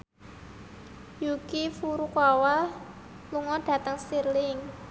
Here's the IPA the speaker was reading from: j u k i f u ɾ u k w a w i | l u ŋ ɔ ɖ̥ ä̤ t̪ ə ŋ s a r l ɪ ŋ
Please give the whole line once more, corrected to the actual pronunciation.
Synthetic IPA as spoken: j u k i f u ɾ u k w a w a | l u ŋ ɔ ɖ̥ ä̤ t̪ ə ŋ s i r l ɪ ŋ